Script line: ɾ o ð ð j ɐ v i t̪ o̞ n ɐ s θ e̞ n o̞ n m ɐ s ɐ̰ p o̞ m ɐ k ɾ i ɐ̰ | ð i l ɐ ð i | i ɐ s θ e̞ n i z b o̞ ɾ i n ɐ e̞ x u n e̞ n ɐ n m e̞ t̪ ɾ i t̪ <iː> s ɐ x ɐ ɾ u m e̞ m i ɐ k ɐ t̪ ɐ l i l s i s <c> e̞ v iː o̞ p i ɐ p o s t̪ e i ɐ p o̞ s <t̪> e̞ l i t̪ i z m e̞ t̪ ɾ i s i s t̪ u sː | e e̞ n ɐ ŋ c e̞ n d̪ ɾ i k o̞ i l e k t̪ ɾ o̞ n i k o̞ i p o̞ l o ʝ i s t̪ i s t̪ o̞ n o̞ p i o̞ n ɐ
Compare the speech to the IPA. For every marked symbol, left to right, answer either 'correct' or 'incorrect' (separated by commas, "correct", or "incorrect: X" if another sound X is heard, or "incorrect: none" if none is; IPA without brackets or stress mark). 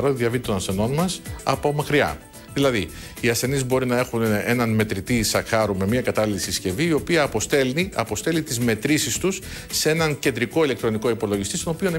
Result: incorrect: i, correct, correct